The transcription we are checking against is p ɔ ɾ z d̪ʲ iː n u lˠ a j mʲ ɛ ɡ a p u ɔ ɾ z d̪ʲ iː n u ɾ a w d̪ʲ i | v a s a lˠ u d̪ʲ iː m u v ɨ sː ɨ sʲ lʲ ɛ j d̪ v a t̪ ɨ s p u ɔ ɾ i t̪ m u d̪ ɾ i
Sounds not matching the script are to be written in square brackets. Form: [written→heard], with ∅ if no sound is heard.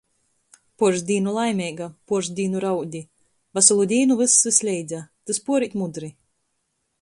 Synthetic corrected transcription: p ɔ ɾ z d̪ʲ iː n u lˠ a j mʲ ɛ ɡ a p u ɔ ɾ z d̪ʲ iː n u ɾ a w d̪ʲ i | v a s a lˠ u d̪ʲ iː [m→n] u v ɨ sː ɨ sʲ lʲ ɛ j d̪ [v→z] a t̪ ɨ s p u ɔ ɾ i t̪ m u d̪ ɾ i